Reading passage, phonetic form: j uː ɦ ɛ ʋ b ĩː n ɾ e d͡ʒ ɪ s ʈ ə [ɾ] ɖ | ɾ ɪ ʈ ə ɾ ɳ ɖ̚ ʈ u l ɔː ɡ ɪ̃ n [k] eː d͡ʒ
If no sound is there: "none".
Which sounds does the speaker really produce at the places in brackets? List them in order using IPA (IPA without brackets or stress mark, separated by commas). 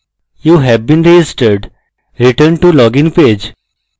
ɾ, p